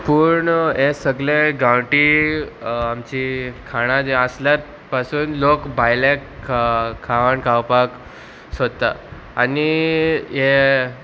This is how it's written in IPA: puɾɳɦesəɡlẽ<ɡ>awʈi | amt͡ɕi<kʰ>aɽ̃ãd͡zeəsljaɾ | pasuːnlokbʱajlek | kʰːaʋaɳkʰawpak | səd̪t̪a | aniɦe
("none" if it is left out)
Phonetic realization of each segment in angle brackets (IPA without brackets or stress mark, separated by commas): ɡ, kʰ